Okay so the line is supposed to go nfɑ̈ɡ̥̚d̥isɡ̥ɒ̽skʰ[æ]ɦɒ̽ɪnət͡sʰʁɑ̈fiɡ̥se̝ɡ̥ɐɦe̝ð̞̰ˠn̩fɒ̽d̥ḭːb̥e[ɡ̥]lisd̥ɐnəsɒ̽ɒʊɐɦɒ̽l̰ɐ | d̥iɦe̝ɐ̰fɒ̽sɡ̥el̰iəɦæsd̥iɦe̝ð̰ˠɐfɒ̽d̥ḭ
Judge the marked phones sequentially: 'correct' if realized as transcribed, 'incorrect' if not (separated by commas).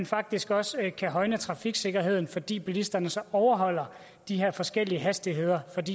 correct, incorrect